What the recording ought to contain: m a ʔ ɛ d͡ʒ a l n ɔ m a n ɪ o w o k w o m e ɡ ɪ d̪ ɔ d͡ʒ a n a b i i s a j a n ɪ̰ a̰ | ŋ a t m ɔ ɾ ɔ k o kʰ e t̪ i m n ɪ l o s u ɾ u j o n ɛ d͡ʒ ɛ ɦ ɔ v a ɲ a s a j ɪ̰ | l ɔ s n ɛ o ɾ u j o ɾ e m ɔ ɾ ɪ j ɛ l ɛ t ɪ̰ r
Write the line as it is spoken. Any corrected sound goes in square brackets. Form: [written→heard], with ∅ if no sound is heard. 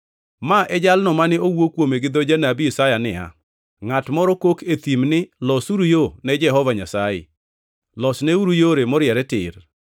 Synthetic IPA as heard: m a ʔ ɛ d͡ʒ a l n ɔ m a n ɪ o w o k w o m e ɡ ɪ d̪ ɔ d͡ʒ a n a b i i s a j a n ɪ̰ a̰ | ŋ a t m ɔ ɾ ɔ k o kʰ e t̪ i m n ɪ l [o→ɔ] s u ɾ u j o n ɛ d͡ʒ ɛ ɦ ɔ v a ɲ a s a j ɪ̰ | l ɔ s n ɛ [o→u] ɾ u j o ɾ e m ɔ ɾ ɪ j ɛ [l→ɾ] ɛ t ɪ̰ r